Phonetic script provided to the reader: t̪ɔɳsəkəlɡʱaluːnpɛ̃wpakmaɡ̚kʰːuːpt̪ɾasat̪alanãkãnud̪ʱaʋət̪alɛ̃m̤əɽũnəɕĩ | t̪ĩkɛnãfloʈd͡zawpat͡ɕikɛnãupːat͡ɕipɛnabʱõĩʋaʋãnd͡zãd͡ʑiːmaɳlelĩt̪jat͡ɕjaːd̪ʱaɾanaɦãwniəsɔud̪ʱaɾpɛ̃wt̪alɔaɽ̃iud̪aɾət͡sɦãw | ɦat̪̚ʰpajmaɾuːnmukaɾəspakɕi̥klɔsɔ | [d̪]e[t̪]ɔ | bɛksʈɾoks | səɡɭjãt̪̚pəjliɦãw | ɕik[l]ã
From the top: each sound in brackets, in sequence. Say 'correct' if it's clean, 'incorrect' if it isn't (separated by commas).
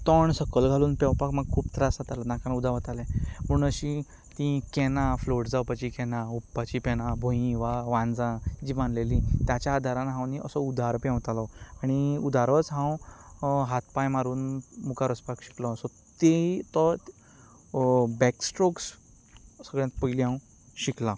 incorrect, correct, correct